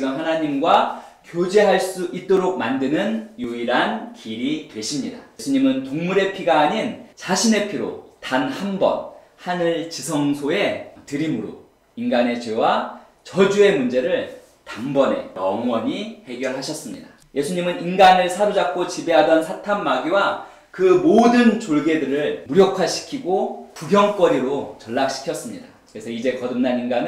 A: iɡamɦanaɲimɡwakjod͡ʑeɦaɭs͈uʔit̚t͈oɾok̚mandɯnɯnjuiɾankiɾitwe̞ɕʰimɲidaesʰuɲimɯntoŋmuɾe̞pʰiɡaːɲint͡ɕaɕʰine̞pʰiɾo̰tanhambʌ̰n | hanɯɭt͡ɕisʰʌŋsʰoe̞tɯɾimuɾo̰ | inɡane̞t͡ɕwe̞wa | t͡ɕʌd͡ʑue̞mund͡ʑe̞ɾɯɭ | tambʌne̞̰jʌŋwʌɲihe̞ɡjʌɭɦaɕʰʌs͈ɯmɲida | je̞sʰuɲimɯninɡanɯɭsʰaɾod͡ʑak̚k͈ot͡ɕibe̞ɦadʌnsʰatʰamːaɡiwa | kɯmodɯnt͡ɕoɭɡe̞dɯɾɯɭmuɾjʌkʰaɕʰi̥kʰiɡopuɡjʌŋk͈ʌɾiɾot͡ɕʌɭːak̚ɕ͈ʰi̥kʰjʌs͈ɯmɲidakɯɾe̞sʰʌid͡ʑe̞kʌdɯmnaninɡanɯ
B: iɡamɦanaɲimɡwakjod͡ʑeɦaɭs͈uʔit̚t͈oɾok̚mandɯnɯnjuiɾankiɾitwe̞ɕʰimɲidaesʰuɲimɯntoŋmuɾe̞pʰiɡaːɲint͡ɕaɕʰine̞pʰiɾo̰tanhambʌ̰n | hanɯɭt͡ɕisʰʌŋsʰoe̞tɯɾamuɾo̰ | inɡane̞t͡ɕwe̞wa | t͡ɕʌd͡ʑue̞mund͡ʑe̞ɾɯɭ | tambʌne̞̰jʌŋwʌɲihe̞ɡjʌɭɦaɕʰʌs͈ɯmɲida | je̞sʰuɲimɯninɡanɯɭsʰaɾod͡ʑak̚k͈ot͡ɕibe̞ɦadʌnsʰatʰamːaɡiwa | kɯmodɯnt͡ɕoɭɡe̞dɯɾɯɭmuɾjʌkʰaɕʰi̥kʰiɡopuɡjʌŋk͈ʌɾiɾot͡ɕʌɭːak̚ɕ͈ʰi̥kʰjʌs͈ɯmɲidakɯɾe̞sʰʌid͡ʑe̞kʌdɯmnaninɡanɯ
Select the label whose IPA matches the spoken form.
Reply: A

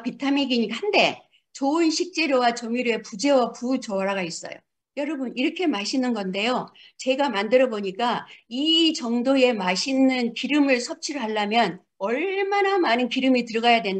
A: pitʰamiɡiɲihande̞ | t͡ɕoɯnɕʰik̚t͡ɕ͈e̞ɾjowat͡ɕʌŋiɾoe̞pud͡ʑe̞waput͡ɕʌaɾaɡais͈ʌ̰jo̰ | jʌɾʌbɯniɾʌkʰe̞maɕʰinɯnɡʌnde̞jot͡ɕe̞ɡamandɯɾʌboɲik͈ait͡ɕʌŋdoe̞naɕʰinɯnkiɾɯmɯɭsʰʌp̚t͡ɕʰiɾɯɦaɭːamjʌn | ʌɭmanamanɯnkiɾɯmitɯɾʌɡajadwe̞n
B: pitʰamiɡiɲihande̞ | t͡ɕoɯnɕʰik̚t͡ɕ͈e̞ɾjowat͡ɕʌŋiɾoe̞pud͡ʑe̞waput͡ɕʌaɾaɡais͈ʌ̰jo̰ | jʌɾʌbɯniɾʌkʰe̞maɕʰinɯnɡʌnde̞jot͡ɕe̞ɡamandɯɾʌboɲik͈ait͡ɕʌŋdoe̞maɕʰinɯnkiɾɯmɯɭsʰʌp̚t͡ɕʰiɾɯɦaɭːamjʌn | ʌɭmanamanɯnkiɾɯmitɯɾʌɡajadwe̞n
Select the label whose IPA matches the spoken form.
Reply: B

